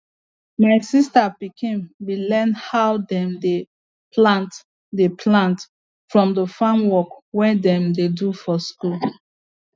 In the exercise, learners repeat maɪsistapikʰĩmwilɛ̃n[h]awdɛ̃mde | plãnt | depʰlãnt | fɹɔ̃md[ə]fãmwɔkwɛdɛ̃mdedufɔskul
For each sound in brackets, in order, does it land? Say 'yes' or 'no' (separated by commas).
yes, yes